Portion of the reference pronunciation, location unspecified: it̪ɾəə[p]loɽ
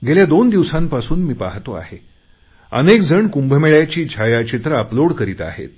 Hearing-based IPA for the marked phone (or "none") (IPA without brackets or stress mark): p